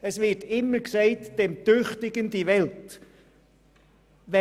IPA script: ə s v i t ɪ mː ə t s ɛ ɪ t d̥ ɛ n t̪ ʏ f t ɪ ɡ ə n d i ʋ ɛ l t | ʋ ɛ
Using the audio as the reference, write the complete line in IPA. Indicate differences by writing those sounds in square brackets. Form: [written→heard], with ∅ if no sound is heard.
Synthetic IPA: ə s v [i→ɪ] t ɪ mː ə [t→k] s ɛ ɪ t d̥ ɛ [n→m] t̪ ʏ [f→χ] t ɪ ɡ ə n d i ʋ ɛ l t | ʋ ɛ